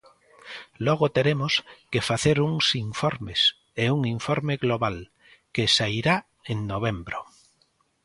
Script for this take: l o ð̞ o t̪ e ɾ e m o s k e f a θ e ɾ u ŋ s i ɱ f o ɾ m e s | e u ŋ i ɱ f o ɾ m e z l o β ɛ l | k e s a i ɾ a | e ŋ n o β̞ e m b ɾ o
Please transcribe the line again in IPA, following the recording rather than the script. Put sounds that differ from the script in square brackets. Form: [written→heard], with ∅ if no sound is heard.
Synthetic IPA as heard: l o [ð̞→ɣ̞] o t̪ e ɾ e m o s k e f a θ e ɾ u ŋ s i ɱ f o ɾ m e s | e u ŋ i ɱ f o ɾ m e [z→ɣ] l o β [ɛ→a] l | k e s a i ɾ a | e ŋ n o β̞ e m b ɾ o